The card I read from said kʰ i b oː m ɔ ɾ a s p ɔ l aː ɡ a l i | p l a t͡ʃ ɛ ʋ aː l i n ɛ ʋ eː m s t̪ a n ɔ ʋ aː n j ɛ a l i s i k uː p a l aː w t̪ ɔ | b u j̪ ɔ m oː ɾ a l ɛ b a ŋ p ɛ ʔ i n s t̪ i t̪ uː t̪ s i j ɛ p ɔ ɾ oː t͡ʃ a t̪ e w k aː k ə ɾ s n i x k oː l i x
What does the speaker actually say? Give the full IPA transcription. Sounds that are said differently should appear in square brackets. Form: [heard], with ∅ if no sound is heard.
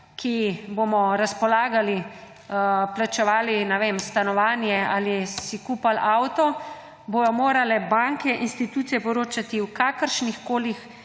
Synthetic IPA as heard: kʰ i b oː m ɔ ɾ a s p ɔ l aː ɡ a l i | p l a t͡ʃ ɛ ʋ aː l i n ɛ ʋ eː m s t̪ a n ɔ ʋ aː n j ɛ a l i s i k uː p a l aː w t̪ ɔ | b [o] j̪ ɔ m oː ɾ a l ɛ b a ŋ [k] ɛ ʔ i n s t̪ i t̪ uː t̪ s i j ɛ p ɔ ɾ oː t͡ʃ a t̪ [i] w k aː k ə ɾ [ʃ] n i x k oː l i x

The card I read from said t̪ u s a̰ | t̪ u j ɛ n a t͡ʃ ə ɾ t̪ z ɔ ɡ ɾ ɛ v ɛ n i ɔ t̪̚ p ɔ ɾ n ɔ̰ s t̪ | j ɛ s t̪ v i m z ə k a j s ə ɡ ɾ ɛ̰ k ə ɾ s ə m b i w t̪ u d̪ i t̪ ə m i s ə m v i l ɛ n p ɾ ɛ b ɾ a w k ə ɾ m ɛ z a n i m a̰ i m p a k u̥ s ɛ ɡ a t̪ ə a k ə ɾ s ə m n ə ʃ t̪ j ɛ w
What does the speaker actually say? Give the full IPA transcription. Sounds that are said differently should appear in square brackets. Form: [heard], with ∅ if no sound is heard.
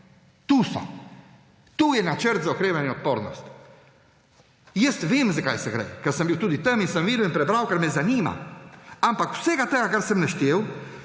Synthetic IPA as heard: t̪ u s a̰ | t̪ u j ɛ n a t͡ʃ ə ɾ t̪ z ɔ [k] ɾ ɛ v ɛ n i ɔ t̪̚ p ɔ ɾ n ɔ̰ s t̪ | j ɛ s t̪ v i m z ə k a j s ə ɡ ɾ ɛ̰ k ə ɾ s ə m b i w t̪ u d̪ i t̪ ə m i s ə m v i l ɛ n p ɾ ɛ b ɾ a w k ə ɾ m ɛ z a n i m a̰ [a] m p a k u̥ s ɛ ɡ a t̪ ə a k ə ɾ s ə m n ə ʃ t̪ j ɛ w

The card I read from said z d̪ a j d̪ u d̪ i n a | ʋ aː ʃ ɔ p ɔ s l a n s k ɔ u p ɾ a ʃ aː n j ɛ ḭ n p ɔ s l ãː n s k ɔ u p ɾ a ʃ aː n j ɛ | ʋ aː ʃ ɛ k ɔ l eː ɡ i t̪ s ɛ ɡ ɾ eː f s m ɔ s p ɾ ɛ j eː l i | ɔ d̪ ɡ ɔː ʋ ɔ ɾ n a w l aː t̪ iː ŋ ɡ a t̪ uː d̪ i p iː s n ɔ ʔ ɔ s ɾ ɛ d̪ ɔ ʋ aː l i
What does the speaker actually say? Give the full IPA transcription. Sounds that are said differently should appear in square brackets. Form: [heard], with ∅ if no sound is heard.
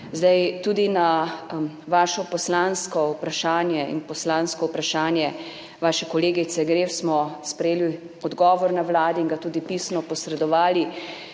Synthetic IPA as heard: z d̪ a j [t̪] u d̪ i n a | ʋ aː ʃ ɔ p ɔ s l a n s k ɔ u p ɾ a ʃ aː n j ɛ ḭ n p ɔ s l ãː n s k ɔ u p ɾ a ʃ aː n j ɛ | ʋ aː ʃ ɛ k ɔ l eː ɡ i t̪ s ɛ ɡ ɾ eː f s m ɔ s p ɾ ɛ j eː l i | ɔ d̪ ɡ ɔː ʋ ɔ ɾ n a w l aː [d̪] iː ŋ ɡ a t̪ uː d̪ i p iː s n ɔ [p] ɔ s ɾ ɛ d̪ ɔ ʋ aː l i

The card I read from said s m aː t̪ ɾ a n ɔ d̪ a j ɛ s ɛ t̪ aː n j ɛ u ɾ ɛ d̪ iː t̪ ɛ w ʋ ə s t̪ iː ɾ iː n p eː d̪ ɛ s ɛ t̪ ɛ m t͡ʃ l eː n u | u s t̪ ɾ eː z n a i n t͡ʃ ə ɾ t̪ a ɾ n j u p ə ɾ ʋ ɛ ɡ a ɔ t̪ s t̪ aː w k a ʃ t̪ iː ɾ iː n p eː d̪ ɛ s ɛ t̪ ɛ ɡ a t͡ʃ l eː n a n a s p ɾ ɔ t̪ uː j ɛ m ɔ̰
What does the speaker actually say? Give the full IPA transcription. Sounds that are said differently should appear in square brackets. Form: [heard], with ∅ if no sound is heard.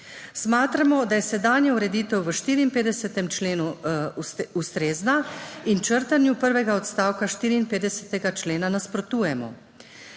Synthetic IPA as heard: s m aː t̪ ɾ a [m] ɔ d̪ a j ɛ s ɛ [d̪] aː n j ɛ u ɾ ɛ d̪ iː t̪ ɛ w ʋ ə [ʃ] t̪ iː ɾ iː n p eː d̪ ɛ s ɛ t̪ ɛ m t͡ʃ l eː n u | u s t̪ ɾ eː z n a i n t͡ʃ ə ɾ t̪ a [∅] n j u p ə ɾ ʋ ɛ ɡ a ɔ t̪ s t̪ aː w k a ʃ t̪ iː ɾ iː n p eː d̪ ɛ s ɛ t̪ ɛ ɡ a t͡ʃ l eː n a n a s p ɾ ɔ t̪ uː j ɛ m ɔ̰

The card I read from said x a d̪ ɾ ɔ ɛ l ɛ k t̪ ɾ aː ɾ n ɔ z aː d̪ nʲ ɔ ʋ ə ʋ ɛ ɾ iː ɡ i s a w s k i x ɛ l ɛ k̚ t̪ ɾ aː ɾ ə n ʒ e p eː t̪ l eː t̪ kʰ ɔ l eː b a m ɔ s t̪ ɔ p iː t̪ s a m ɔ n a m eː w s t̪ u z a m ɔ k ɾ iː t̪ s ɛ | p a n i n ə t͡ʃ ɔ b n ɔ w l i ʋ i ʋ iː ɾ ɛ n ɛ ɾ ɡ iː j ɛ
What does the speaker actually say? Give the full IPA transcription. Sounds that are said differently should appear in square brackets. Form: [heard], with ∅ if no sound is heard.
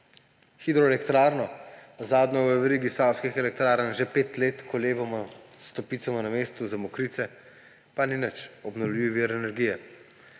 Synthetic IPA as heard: x [i] d̪ ɾ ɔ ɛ l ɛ k t̪ ɾ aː ɾ n ɔ z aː d̪ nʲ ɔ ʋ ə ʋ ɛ ɾ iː ɡ i s a w s k i x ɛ l ɛ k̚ t̪ ɾ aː ɾ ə n ʒ e p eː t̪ l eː t̪ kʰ ɔ l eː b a m ɔ s t̪ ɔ p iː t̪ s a m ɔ n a m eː [∅] s t̪ u z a m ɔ k ɾ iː t̪ s ɛ | p a n i n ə t͡ʃ ɔ b n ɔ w l i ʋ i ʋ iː ɾ ɛ n ɛ ɾ ɡ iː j ɛ

